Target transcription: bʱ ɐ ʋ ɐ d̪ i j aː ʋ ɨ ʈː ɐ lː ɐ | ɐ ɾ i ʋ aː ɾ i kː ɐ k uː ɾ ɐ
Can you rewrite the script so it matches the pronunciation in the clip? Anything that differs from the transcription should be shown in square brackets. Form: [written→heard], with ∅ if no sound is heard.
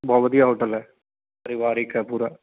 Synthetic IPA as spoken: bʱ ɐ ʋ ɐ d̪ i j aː ʋ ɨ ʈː ɐ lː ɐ | ɐ ɾ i ʋ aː ɾ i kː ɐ [k→p] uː ɾ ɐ